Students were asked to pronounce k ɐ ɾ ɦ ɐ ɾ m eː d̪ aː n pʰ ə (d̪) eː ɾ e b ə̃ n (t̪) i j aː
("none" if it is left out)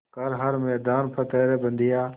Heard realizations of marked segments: t̪, d̪

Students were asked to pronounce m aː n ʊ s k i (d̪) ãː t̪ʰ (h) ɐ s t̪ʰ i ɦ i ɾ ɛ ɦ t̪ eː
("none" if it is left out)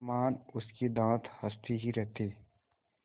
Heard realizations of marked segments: d̪, h

